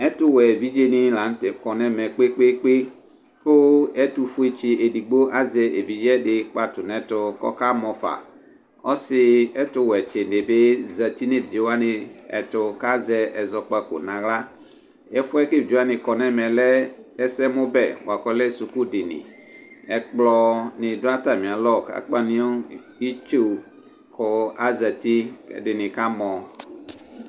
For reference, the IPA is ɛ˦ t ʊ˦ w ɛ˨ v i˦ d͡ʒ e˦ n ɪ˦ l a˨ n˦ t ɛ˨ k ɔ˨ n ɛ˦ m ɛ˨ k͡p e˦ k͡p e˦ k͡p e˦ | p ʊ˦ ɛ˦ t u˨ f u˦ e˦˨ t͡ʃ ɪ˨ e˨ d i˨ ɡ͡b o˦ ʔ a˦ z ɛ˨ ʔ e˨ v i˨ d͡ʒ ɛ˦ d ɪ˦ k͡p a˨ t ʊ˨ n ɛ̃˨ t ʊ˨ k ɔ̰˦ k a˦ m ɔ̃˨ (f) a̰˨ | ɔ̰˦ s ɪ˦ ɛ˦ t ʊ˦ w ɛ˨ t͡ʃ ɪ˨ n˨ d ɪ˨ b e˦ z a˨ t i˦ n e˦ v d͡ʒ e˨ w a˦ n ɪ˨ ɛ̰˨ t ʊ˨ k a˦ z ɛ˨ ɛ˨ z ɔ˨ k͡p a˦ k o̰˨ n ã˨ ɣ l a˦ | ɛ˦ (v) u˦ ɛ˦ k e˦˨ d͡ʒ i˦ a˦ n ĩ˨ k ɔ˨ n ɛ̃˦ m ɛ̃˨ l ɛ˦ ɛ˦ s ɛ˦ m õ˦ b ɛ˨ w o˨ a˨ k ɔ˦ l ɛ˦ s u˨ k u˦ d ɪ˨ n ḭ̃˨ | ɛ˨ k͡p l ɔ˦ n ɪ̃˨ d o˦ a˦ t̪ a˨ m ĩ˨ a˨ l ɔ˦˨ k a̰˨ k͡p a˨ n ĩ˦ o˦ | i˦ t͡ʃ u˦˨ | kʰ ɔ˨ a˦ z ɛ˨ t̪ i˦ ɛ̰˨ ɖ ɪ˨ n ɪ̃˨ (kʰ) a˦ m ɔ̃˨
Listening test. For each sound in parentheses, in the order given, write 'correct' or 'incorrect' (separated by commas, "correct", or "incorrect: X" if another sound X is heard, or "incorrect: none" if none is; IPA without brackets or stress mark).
correct, incorrect: f, incorrect: k